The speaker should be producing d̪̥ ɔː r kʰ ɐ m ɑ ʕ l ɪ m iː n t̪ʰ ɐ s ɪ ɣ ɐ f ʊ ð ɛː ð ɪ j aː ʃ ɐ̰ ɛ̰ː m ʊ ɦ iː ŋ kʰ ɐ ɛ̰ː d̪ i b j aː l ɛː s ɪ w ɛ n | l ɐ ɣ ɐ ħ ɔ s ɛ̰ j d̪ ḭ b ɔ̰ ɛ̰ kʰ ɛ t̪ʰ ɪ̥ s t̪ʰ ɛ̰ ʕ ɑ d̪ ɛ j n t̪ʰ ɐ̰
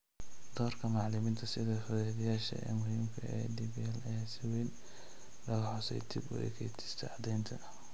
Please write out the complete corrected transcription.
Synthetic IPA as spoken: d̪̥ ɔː r kʰ ɐ m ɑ ʕ l ɪ m iː n t̪ʰ ɐ s ɪ ð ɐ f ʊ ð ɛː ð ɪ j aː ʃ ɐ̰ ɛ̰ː m ʊ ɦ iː m kʰ ɐ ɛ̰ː d̪ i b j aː l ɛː s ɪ w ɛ n | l ɐ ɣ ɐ ħ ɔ s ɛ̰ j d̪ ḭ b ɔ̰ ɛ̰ kʰ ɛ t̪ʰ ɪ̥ s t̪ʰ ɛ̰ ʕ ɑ d̪ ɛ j n t̪ʰ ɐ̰